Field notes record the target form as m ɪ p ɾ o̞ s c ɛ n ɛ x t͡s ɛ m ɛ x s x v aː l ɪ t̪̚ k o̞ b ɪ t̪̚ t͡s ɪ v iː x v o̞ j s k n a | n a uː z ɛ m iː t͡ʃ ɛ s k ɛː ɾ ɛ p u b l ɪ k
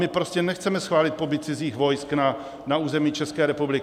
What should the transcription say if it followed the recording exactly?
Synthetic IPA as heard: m ɪ p ɾ o̞ s c ɛ n ɛ x t͡s ɛ m ɛ s x v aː l ɪ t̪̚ p o̞ b ɪ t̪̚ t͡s ɪ z iː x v o̞ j s k n a | n a uː z ɛ m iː t͡ʃ ɛ s k ɛː ɾ ɛ p u b l ɪ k